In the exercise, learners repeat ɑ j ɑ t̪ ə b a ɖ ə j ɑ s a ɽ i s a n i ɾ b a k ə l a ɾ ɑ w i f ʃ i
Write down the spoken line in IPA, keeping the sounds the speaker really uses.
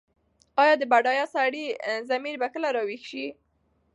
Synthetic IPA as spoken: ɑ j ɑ d̪ ə b a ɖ ɑ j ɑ s a ɽ i z a m i ɾ b a k ə l a ɾ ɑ w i x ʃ i